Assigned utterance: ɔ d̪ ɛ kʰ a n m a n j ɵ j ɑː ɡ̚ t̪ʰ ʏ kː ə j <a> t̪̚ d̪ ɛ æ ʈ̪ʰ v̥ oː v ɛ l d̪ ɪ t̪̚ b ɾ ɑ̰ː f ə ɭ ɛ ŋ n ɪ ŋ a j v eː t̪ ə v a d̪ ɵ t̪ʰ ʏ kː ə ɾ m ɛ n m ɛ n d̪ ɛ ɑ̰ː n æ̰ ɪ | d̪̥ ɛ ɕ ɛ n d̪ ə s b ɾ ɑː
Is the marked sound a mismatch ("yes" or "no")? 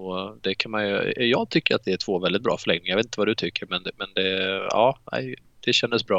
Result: no